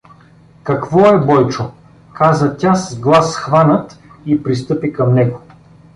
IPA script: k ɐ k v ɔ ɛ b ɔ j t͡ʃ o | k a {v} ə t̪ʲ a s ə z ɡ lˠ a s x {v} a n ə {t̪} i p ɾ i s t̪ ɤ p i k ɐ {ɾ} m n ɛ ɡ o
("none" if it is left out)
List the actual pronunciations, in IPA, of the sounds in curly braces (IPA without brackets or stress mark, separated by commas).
z, v, t̪, none